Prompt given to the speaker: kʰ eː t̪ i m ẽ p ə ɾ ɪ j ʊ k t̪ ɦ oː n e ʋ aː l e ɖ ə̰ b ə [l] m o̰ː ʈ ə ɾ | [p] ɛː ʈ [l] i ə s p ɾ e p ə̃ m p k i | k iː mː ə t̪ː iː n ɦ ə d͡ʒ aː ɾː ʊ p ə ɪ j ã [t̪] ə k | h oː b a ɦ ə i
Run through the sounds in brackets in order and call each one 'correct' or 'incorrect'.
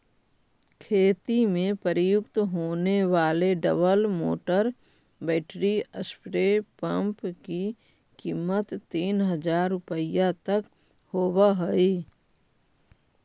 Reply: correct, incorrect: b, incorrect: ɾ, correct

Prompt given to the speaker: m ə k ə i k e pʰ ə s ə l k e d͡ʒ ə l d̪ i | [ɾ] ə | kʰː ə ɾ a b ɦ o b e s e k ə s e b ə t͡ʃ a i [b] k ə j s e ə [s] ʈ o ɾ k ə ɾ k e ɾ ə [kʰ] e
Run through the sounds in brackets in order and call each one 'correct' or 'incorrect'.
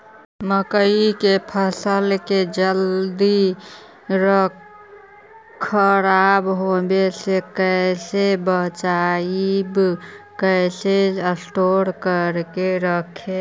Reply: correct, correct, correct, correct

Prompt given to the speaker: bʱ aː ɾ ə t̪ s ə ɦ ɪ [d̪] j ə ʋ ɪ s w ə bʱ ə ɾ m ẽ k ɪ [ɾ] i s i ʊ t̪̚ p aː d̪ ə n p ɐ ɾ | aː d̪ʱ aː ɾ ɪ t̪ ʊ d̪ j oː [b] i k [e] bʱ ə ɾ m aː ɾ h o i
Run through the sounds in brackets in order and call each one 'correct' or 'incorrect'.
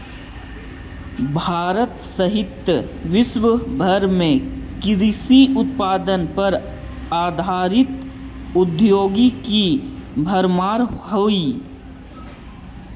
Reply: incorrect: t̪, correct, incorrect: ɡ, incorrect: i

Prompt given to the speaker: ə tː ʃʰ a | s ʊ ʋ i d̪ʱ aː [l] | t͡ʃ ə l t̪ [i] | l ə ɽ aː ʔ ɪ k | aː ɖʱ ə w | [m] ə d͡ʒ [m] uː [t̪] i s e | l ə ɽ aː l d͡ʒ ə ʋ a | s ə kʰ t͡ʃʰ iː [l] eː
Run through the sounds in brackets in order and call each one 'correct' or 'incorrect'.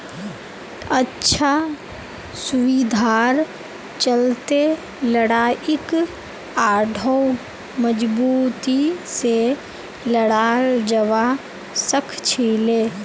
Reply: incorrect: ɾ, incorrect: e, correct, incorrect: b, correct, correct

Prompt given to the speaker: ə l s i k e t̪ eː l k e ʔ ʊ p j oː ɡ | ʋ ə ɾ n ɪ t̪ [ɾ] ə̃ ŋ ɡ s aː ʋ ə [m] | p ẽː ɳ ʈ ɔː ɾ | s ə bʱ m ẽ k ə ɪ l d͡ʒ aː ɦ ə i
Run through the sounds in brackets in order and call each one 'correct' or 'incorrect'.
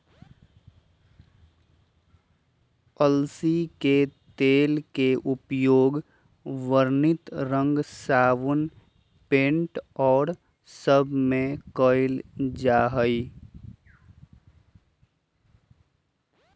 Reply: correct, incorrect: n

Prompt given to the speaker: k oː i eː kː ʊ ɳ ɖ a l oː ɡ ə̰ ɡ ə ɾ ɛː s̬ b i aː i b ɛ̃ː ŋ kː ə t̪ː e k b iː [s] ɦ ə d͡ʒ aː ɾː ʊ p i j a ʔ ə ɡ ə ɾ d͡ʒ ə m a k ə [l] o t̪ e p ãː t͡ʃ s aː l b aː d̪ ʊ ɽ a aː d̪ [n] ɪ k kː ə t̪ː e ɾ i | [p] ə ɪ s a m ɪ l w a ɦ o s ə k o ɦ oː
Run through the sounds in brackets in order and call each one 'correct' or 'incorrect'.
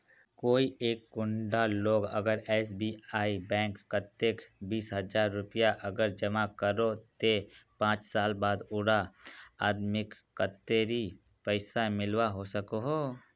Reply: correct, incorrect: ɾ, incorrect: m, correct

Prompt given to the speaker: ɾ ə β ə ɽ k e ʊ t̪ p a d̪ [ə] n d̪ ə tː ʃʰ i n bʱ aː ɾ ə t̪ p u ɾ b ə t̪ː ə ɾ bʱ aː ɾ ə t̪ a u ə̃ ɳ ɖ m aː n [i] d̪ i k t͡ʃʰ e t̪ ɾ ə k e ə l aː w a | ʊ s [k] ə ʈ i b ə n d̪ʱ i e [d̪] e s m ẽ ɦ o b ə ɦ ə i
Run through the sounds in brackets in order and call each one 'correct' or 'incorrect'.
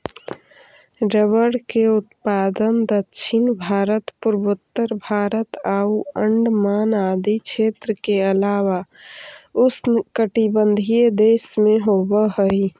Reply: correct, incorrect: a, correct, correct

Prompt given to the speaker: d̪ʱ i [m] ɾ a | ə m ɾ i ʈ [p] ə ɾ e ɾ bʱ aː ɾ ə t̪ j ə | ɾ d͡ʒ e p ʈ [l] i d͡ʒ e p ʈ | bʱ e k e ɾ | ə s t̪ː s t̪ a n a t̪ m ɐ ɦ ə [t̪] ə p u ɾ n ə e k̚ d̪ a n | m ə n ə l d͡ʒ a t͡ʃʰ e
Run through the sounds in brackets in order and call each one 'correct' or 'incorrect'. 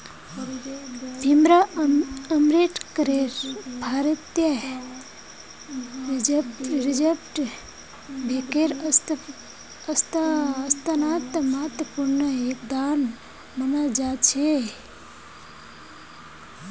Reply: correct, incorrect: k, incorrect: ɾ, correct

